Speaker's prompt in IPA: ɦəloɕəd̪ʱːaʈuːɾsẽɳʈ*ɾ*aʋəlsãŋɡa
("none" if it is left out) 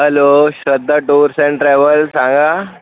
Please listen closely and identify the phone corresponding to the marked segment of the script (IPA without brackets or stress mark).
ɾ